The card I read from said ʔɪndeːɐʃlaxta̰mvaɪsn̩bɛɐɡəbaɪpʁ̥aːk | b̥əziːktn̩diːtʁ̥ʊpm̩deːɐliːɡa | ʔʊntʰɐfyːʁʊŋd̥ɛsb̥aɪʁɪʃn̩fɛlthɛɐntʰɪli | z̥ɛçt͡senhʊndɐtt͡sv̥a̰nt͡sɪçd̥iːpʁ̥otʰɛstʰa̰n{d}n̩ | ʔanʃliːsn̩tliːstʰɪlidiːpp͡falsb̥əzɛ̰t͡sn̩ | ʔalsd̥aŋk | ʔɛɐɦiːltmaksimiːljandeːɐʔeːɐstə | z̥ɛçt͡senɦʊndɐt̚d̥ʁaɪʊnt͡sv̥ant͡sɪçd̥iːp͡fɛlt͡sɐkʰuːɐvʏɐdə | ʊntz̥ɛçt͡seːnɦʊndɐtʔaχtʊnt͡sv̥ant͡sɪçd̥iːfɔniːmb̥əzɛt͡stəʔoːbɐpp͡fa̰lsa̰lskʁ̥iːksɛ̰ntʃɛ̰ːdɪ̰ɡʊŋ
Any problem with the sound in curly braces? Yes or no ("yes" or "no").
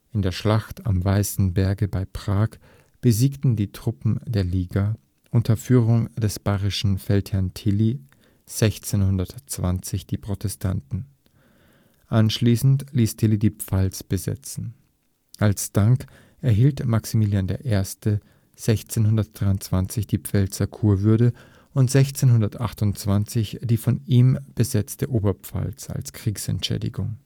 yes